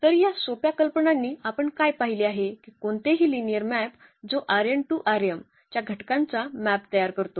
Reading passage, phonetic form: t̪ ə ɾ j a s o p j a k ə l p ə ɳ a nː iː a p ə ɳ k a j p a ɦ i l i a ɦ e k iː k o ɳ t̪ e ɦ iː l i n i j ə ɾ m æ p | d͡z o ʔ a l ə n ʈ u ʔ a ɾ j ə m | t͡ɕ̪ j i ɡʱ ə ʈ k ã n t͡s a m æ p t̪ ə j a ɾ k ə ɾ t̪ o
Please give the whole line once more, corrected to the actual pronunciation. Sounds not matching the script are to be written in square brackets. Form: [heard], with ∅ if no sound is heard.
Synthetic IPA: t̪ ə ɾ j a s o p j a k ə l p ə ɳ a nː iː a p ə ɳ k a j p a ɦ i l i a ɦ e k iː k o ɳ t̪ e ɦ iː l i n i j ə ɾ m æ p | d͡z o ʔ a [ɾ] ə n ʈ u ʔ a ɾ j ə m | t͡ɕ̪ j [a] ɡʱ ə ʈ k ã n t͡s a m æ p t̪ ə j a ɾ k ə ɾ t̪ o